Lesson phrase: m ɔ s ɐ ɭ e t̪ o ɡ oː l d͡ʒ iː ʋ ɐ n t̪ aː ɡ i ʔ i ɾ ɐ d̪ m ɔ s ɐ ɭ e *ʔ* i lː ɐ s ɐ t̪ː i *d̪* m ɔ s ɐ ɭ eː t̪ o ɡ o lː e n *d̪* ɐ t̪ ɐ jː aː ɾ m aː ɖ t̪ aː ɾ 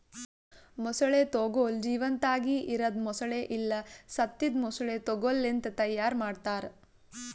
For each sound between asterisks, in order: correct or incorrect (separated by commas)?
correct, correct, incorrect